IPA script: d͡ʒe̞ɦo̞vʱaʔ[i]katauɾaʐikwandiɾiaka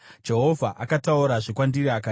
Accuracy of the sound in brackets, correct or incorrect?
incorrect